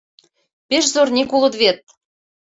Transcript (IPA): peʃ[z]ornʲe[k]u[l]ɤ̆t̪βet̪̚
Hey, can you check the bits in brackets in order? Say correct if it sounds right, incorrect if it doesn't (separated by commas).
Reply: correct, correct, correct